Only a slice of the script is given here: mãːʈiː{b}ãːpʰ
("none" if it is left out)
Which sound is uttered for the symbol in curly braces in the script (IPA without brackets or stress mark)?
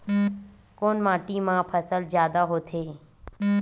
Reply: m